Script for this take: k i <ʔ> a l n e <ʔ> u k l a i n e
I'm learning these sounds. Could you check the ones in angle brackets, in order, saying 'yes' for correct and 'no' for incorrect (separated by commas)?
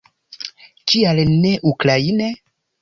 no, yes